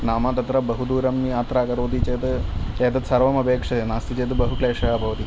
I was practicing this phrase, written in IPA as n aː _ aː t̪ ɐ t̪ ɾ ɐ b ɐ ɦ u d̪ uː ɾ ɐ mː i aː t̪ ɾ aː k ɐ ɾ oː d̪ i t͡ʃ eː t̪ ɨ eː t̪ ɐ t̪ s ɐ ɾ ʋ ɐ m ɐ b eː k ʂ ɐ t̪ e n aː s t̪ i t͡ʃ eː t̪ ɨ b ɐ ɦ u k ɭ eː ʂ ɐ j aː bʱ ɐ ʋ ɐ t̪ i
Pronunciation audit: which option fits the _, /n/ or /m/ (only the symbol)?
m